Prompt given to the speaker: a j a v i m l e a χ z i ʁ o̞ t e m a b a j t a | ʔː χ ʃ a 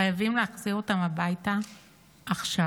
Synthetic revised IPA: a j a v i m l e a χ z i ʁ o̞ t a m a b a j t a | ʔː χ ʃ a